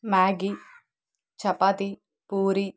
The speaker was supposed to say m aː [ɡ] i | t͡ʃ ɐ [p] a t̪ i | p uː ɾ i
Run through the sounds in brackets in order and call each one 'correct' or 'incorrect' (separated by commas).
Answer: correct, correct